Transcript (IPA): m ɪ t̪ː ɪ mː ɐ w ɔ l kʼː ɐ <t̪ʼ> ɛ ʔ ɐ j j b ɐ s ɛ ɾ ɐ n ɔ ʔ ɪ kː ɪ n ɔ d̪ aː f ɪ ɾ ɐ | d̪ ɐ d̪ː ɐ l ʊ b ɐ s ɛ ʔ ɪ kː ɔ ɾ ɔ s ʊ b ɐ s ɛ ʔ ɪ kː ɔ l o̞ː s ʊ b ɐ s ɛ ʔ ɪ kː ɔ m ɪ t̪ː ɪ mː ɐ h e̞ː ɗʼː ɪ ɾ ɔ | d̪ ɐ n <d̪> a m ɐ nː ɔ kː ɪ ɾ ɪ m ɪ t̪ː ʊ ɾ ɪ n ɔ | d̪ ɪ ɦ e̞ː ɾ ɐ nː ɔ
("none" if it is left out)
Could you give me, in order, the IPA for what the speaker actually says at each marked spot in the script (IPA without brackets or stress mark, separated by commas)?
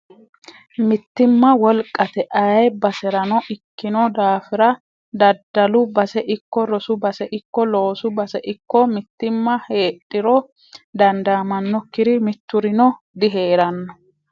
t̪, d̪